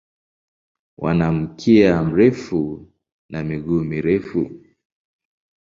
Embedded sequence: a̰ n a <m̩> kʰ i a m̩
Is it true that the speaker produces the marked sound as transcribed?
yes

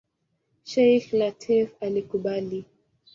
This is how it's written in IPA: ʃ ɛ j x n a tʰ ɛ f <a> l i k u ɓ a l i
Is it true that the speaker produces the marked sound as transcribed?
yes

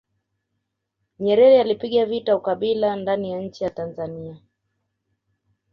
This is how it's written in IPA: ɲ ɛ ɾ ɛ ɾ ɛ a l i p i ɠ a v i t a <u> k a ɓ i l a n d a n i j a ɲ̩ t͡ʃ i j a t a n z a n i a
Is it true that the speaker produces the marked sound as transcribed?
yes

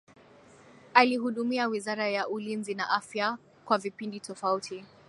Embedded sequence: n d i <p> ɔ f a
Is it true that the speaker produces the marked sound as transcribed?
no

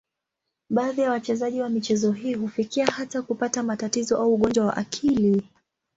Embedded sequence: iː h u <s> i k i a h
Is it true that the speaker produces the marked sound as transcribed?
no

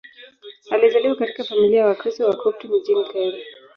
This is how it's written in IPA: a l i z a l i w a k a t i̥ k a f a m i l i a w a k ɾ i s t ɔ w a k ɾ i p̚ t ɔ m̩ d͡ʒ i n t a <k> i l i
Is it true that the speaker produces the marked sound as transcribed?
no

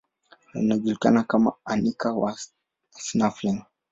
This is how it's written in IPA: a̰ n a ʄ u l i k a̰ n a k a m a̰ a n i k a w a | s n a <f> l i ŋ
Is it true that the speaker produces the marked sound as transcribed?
yes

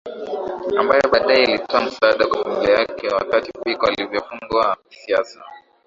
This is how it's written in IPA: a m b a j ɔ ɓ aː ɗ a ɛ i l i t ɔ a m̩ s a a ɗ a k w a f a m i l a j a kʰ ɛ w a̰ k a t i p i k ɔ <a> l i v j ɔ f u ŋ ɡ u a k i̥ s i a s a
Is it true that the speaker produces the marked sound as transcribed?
yes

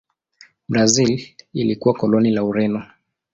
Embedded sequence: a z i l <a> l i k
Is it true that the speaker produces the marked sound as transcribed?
no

